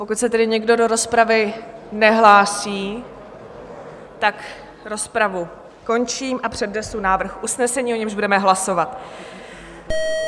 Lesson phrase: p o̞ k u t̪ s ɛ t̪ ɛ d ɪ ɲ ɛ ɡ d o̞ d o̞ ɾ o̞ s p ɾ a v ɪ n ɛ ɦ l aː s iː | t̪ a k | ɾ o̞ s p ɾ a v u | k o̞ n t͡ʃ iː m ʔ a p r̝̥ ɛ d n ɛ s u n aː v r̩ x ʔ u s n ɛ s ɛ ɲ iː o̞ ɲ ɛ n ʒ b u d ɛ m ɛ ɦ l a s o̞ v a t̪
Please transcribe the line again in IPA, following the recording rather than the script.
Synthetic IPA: p o̞ k u t̪ s ɛ t̪ ɛ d ɪ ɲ ɛ ɡ d o̞ d o̞ ɾ o̞ s p ɾ a v ɪ n ɛ ɦ l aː s iː | t̪ a k | ɾ o̞ s p ɾ a v u | k o̞ n t͡ʃ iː m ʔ a p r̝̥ ɛ d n ɛ s u n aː v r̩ x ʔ u s n ɛ s ɛ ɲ iː o̞ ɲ ɛ m ʒ b u d ɛ m ɛ ɦ l a s o̞ v a t̪